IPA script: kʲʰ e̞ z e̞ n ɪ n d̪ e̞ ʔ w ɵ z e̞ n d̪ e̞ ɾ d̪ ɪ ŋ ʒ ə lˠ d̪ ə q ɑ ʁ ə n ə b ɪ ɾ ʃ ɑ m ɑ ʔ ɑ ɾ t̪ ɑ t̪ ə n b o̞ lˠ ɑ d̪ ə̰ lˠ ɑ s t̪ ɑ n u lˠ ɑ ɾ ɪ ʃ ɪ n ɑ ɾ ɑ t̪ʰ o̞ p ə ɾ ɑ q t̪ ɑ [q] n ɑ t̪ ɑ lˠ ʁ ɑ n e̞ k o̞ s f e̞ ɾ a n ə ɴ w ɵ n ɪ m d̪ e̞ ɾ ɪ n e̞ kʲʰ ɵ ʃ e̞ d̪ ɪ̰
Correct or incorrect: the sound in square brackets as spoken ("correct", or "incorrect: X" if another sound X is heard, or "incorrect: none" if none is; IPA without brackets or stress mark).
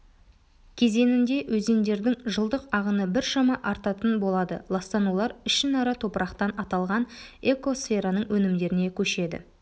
incorrect: none